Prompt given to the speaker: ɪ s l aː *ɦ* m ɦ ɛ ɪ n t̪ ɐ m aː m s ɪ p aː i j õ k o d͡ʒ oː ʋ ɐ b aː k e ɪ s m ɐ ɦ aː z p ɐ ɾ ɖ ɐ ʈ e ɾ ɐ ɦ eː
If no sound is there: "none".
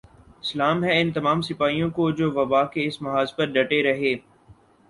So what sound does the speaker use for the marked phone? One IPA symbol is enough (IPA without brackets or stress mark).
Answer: none